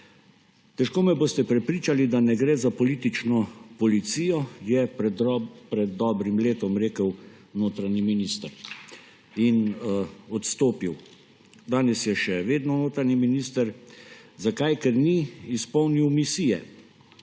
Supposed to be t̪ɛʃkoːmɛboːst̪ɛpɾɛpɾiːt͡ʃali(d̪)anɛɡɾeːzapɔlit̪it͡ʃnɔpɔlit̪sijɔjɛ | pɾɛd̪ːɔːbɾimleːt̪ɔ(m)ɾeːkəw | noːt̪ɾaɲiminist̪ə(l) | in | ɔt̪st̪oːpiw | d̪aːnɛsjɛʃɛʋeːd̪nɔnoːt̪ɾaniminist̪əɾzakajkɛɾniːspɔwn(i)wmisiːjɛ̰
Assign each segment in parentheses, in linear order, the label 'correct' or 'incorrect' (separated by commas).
correct, correct, incorrect, correct